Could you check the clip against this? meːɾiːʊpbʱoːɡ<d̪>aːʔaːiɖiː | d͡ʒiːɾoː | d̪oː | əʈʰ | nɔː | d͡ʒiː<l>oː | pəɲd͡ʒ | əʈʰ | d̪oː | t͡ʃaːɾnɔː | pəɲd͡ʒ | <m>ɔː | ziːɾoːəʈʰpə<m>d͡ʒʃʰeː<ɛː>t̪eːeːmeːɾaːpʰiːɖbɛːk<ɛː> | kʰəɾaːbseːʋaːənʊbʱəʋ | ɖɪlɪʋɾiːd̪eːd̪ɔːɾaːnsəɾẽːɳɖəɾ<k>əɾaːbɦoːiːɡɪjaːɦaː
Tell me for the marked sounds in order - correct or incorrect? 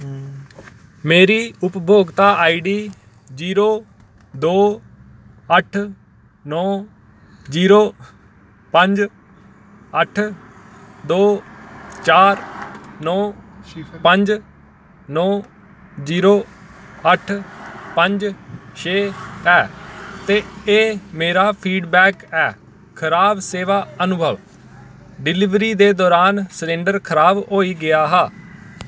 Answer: incorrect, incorrect, incorrect, incorrect, correct, correct, incorrect

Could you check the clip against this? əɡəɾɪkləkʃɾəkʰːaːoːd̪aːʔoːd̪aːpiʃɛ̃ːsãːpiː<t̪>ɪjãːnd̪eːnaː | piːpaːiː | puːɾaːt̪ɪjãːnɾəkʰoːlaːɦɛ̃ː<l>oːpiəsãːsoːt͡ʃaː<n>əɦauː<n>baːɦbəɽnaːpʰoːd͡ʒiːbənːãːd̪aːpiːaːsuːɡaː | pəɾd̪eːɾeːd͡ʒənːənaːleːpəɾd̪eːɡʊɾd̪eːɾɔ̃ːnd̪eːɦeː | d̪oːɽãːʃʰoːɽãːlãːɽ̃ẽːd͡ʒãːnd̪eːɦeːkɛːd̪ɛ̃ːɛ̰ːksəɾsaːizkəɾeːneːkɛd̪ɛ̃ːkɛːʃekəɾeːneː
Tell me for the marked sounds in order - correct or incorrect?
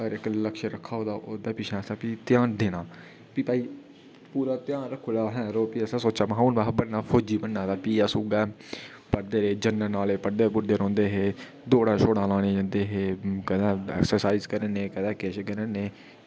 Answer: correct, incorrect, incorrect, correct

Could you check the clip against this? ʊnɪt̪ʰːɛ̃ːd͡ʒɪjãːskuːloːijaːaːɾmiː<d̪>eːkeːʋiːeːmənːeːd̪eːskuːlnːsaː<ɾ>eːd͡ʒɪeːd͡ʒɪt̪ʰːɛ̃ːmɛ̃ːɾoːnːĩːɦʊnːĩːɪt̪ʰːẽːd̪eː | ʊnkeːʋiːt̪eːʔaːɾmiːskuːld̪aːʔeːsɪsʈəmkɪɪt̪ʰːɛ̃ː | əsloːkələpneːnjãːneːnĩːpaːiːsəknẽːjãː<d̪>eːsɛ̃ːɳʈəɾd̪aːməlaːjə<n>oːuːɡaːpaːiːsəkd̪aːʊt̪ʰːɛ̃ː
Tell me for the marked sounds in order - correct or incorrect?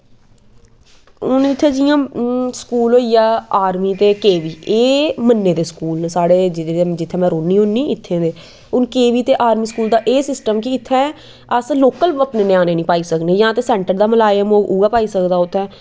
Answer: incorrect, incorrect, incorrect, incorrect

